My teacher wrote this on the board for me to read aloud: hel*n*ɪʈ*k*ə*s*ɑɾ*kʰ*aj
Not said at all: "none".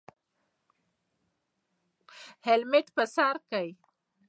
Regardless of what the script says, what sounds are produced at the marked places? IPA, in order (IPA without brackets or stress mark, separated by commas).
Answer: m, p, s, k